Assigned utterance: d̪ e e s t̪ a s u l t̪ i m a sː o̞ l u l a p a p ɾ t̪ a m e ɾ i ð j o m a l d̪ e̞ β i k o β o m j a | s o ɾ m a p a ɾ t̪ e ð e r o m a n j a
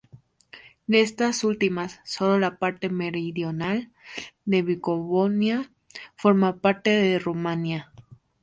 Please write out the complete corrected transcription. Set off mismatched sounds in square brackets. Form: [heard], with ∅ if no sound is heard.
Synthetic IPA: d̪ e e s t̪ a s u l t̪ i m a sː o̞ l [o] l a p a [∅] ɾ t̪ [e] m e ɾ i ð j o [n] a l d̪ e̞ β i k o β o [n] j a | [f] o ɾ m a p a ɾ t̪ e ð e r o m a n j a